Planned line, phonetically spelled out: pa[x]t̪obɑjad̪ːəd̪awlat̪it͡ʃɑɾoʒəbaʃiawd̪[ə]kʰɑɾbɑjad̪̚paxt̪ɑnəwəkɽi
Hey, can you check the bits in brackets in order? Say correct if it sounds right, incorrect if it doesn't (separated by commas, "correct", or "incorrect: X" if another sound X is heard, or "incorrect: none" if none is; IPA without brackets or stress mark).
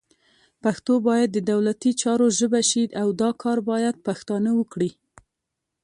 correct, incorrect: ɑ